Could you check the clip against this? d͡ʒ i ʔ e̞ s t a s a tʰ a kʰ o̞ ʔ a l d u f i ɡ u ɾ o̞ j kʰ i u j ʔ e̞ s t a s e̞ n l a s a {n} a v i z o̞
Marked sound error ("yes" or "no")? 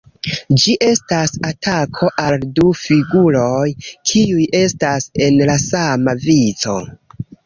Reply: yes